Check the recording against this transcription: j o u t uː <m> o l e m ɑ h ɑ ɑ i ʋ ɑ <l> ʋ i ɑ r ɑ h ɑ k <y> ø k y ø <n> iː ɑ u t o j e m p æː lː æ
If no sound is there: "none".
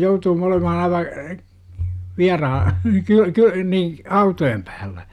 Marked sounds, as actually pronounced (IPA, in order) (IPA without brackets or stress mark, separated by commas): m, none, y, n